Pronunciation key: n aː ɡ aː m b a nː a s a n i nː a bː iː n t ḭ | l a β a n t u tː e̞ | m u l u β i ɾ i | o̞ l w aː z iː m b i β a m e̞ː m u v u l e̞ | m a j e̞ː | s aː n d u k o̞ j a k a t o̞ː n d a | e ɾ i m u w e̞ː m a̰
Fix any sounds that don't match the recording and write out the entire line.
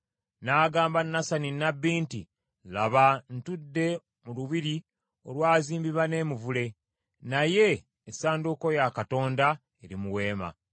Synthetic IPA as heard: n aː ɡ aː m b a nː a s a n i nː a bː iː n t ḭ | l a β a n t u dː e̞ | m u l u β i ɾ i | o̞ l w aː z iː m b i β a n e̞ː m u v u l e̞ | n a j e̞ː | s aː n d u k o̞ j a k a t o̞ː n d a | e ɾ i m u w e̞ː m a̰